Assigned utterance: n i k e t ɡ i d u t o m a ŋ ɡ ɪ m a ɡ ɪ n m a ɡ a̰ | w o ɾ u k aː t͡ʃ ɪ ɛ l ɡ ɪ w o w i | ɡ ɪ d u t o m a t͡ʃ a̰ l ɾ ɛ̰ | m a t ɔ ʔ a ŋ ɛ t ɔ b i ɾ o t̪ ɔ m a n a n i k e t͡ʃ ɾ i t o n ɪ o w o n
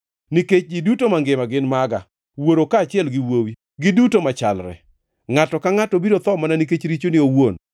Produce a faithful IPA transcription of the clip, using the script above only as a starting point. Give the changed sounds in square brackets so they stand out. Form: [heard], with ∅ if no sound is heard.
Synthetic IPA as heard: n i k e [t͡ʃ] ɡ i d u t o m a ŋ ɡ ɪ m a ɡ ɪ n m a ɡ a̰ | w o ɾ [o] k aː t͡ʃ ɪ ɛ l ɡ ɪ w o w i | ɡ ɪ d u t o m a t͡ʃ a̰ l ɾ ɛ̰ | [ŋ] a t ɔ [k] a ŋ [a] t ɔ b i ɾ o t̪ ɔ m a n a n i k e t͡ʃ ɾ i [t͡ʃ] o n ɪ o w o n

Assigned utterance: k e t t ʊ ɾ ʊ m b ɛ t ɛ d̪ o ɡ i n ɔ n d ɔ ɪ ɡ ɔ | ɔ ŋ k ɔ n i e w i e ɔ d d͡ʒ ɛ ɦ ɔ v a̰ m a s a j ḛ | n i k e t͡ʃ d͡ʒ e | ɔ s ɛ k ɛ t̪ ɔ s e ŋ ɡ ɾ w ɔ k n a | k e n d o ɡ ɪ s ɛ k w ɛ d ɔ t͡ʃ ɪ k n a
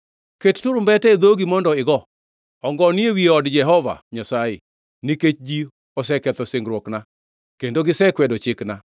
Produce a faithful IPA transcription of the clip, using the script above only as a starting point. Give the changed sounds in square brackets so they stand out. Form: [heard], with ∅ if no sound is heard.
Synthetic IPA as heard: k e t t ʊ ɾ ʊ m b ɛ t ɛ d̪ o ɡ i [m] ɔ n d ɔ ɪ ɡ ɔ | ɔ ŋ [ɡ] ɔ n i e w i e ɔ d d͡ʒ ɛ ɦ ɔ v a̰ [ɲ] a s a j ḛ | n i k e t͡ʃ d͡ʒ [i] | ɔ s ɛ k ɛ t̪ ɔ s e ŋ ɡ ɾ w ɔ k n a | k e n d o ɡ ɪ s ɛ k w ɛ d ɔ t͡ʃ ɪ k n a

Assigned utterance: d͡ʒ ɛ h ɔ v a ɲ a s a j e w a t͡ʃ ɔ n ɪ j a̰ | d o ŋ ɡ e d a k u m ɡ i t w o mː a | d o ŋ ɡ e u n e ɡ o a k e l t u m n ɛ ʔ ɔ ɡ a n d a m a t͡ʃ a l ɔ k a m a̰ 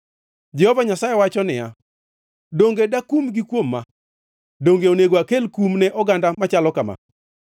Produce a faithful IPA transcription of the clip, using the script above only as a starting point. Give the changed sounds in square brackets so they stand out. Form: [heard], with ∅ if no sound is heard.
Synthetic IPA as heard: d͡ʒ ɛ h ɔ v a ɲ a s a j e w a t͡ʃ ɔ n ɪ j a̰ | d o ŋ ɡ e d a k u m ɡ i [k] w o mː a | d o ŋ ɡ e [o] n e ɡ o a k e l [k] u m n ɛ ʔ ɔ ɡ a n d a m a t͡ʃ a l ɔ k a m a̰

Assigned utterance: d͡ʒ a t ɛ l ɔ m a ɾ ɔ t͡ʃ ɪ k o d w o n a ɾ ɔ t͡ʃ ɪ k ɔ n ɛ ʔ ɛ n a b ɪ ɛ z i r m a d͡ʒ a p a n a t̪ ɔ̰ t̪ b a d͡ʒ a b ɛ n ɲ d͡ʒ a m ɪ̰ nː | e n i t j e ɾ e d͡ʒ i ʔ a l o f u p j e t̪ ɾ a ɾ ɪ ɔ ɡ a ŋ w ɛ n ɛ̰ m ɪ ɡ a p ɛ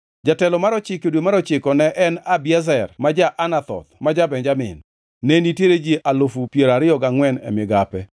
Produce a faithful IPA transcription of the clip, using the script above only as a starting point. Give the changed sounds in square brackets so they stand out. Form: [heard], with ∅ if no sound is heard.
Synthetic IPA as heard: d͡ʒ a t ɛ l ɔ m a ɾ ɔ t͡ʃ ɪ k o d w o [m] a ɾ ɔ t͡ʃ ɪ k ɔ n ɛ ʔ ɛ n a b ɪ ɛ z [ɛ] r m a d͡ʒ a [ʔ] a n a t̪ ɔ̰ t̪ [m] a d͡ʒ a b ɛ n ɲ d͡ʒ a m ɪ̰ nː | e n i t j e ɾ e d͡ʒ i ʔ a l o f u p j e [∅] ɾ a ɾ ɪ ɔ ɡ a ŋ w ɛ n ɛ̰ m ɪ ɡ a p ɛ

